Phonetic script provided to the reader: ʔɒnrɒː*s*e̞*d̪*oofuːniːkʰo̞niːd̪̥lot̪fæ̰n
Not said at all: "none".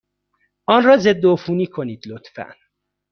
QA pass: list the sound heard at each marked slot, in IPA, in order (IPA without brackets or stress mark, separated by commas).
z, d̪ː